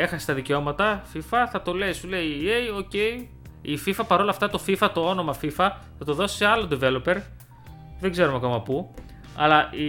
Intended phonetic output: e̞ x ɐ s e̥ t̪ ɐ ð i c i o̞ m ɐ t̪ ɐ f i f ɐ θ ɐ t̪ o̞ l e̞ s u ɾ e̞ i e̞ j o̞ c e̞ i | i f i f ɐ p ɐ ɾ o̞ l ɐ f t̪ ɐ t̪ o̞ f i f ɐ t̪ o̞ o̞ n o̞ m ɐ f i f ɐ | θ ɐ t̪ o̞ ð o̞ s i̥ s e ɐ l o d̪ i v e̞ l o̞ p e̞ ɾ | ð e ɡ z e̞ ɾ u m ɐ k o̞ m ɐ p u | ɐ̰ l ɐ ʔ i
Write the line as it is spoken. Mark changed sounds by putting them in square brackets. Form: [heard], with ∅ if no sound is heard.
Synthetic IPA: e̞ x ɐ s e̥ t̪ ɐ ð i c [e] o̞ m ɐ t̪ ɐ f i f ɐ θ ɐ t̪ o̞ l e̞ s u [l] e̞ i e̞ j o̞ c e̞ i | i f i f ɐ p ɐ ɾ o̞ l ɐ f t̪ ɐ t̪ o̞ f i f ɐ t̪ o̞ o̞ n o̞ m ɐ f i f ɐ | θ ɐ t̪ o̞ ð o̞ s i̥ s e ɐ l o d̪ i v e̞ l o̞ p e̞ ɾ | ð e ɡ z e̞ ɾ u m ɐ k o̞ m ɐ p u | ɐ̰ l ɐ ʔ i